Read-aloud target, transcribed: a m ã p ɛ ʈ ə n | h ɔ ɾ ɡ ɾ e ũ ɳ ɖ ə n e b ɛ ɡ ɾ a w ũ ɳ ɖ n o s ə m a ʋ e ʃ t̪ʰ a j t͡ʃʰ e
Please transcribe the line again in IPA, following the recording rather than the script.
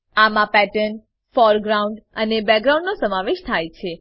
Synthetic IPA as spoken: a m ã p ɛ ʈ ə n | f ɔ ɾ ɡ ɾ a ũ ɳ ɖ ə n e b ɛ ɡ ɾ a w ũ ɳ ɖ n o s ə m a ʋ e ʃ t̪ʰ a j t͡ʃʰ e